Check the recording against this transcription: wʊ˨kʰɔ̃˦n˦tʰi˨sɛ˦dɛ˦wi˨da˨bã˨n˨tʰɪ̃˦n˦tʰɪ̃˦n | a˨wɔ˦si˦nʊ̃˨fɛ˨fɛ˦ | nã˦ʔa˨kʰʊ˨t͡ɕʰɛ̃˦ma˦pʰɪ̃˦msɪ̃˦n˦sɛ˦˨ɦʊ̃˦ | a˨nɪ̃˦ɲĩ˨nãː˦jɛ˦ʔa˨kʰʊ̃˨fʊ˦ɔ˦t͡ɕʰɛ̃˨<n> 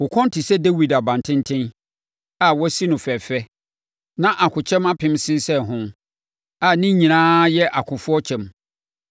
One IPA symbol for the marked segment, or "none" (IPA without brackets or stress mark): m